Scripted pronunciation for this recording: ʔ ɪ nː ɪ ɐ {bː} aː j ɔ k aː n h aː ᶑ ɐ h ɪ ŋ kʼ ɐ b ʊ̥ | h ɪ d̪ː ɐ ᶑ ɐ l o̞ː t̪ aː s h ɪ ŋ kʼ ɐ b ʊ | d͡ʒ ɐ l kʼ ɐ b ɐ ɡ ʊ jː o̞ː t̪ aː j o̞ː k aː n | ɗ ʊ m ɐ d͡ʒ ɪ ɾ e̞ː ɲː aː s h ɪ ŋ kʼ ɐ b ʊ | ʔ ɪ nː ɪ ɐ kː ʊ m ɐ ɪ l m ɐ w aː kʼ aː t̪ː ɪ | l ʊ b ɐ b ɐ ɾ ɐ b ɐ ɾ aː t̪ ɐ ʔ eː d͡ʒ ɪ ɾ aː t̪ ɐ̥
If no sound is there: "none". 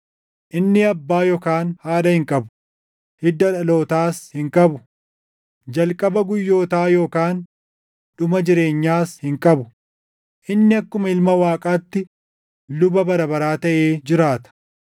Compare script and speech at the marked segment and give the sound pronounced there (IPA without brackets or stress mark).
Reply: bː